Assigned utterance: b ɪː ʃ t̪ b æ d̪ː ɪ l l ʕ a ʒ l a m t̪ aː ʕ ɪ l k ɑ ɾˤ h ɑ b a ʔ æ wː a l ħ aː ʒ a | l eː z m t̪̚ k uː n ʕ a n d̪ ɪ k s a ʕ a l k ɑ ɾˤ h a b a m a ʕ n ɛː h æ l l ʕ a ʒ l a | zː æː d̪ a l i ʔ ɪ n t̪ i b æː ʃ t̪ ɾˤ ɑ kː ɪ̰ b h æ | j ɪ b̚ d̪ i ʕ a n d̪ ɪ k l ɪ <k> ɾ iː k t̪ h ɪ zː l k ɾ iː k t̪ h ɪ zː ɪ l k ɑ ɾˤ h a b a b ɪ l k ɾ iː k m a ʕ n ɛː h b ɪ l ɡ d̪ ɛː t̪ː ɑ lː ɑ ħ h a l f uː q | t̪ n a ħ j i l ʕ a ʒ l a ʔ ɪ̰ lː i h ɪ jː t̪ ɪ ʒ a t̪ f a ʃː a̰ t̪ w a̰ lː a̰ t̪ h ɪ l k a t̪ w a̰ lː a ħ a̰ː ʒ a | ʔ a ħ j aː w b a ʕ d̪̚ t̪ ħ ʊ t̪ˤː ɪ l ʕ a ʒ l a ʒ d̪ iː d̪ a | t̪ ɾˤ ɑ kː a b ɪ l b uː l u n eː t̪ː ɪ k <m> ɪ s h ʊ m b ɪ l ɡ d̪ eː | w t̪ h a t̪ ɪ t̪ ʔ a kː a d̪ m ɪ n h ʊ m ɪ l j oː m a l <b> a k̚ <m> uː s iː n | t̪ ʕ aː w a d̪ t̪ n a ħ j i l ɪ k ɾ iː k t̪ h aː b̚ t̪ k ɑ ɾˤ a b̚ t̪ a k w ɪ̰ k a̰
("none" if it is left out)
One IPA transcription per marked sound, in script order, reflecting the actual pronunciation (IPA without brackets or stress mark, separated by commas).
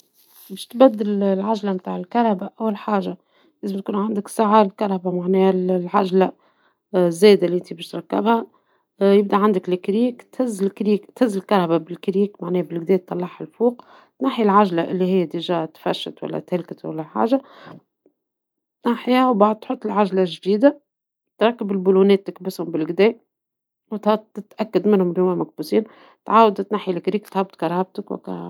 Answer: k, b, m, b